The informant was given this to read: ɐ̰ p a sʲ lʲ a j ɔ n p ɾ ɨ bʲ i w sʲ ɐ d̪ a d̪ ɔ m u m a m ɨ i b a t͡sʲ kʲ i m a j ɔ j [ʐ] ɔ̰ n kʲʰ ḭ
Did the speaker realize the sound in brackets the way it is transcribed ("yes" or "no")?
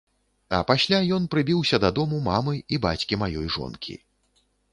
yes